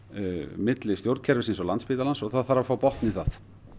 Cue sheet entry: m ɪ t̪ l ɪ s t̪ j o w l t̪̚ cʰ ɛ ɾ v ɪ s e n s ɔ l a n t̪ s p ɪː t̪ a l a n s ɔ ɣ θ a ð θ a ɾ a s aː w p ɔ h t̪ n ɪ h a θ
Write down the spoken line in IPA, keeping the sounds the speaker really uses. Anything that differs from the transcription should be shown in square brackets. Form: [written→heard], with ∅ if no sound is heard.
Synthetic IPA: m ɪ t̪ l ɪ s t̪ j o w [l→ɾ] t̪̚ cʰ ɛ ɾ v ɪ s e n s ɔ l a n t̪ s p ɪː t̪ a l a n s ɔ ɣ θ a ð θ a ɾ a [s→f] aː w p ɔ h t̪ n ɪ [h→θ] a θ